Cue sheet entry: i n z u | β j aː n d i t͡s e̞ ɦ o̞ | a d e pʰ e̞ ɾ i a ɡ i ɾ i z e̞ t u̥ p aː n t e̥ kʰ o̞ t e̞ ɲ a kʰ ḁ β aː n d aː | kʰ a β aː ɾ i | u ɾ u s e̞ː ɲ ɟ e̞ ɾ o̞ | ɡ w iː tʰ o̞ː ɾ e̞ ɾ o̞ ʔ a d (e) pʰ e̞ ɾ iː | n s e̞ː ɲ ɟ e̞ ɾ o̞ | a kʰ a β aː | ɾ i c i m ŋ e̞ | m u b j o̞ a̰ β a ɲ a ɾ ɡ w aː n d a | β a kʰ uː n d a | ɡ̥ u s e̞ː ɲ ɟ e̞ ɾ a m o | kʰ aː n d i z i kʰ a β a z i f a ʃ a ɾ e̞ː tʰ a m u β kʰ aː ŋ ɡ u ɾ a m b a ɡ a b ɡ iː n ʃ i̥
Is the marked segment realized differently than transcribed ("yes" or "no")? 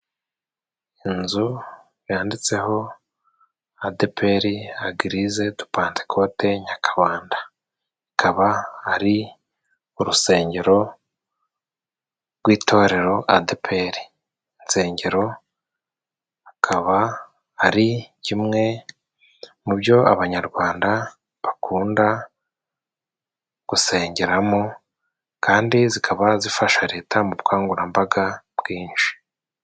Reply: no